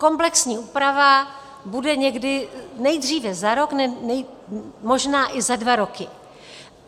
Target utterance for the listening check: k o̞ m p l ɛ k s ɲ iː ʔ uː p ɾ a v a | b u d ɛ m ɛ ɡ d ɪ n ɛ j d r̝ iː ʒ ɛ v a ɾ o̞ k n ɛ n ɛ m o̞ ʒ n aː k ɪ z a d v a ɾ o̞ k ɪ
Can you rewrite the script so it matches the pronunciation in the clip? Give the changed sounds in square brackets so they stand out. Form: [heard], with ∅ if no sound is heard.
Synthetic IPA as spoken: k o̞ m p l ɛ k s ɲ iː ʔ uː p ɾ a v a | b u d ɛ [ɲ] ɛ ɡ d ɪ n ɛ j d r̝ iː [v] ɛ [z] a ɾ o̞ k n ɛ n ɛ m o̞ ʒ n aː [ʔ] ɪ z a d v a ɾ o̞ k ɪ